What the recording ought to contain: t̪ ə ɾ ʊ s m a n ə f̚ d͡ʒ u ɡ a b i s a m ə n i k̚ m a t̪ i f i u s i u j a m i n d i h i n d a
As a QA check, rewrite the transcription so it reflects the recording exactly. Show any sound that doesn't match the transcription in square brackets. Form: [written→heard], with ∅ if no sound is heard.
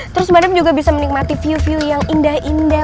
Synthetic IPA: t̪ ə ɾ ʊ s m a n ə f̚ d͡ʒ u ɡ a b i s a m ə n i k̚ m a t̪ i f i u [s→f] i u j a [m→ŋ] i n d [i→a] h i n d a